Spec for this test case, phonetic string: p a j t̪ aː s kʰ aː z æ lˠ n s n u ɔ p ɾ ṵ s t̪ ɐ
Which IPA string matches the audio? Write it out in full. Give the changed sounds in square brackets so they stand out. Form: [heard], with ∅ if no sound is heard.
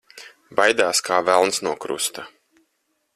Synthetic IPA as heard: [b] a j [d̪] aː s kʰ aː [v] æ lˠ n s n u ɔ [k] ɾ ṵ s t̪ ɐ